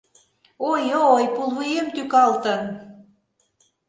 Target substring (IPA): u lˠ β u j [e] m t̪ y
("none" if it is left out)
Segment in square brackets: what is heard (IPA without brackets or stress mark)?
e